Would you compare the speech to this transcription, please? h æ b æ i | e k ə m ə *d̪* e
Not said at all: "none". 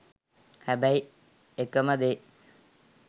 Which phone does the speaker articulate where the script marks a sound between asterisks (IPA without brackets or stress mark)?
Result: d̪